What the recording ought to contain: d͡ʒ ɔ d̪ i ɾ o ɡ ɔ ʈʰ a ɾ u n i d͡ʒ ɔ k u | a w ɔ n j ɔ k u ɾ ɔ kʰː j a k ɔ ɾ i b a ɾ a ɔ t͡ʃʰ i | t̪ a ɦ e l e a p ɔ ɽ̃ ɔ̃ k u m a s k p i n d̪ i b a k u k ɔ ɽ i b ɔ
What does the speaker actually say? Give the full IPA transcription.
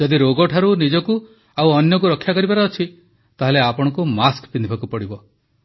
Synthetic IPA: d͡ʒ ɔ d̪ i ɾ o ɡ ɔ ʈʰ a ɾ u n i d͡ʒ ɔ k u | a w ɔ n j ɔ k u ɾ ɔ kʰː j a k ɔ ɾ i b a ɾ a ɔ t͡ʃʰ i | t̪ a ɦ e l e a p ɔ ɽ̃ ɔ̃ k u m a s k p i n d̪ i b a k u p ɔ ɽ i b ɔ